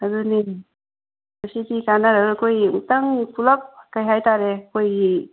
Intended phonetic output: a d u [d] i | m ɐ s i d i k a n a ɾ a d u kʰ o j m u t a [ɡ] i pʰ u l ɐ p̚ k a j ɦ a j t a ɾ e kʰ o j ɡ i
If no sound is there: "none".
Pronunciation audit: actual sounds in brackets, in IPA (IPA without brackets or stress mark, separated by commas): n, ŋ